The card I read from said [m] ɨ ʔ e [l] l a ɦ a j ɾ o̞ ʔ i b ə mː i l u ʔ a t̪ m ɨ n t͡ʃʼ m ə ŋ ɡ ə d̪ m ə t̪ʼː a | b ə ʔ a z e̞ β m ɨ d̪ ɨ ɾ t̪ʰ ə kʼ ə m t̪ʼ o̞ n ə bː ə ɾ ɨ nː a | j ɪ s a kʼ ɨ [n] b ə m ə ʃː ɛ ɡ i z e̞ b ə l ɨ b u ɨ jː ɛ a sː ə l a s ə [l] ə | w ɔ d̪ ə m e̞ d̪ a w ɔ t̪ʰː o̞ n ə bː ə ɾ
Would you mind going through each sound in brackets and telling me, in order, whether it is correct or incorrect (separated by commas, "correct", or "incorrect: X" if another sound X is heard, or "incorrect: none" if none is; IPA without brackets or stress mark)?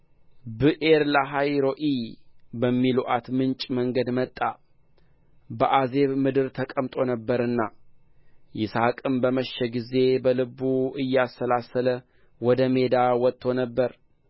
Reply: incorrect: b, incorrect: ɾ, incorrect: m, correct